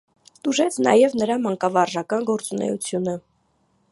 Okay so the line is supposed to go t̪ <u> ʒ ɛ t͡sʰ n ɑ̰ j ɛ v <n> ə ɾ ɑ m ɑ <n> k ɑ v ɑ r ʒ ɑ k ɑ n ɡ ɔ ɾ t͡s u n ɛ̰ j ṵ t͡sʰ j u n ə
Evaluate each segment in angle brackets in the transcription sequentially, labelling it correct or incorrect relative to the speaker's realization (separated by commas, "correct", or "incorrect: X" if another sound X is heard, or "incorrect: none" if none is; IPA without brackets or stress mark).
correct, correct, incorrect: ŋ